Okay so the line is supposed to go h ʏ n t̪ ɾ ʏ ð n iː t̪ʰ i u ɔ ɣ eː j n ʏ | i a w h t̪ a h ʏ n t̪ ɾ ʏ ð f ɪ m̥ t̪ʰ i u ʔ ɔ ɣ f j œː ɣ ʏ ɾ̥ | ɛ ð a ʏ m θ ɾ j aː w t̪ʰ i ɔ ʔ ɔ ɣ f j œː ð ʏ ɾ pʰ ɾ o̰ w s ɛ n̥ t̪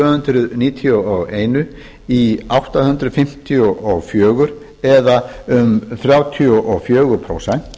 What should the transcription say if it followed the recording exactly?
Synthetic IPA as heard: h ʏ n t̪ ɾ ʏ ð n iː t̪ʰ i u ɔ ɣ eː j n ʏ | i a w h t̪ a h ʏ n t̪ ɾ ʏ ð f ɪ m̥ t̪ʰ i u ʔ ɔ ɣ f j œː ɣ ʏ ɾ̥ | ɛ ð a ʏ m θ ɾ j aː w t̪ʰ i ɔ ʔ ɔ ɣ f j œː ɣ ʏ ɾ pʰ ɾ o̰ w s ɛ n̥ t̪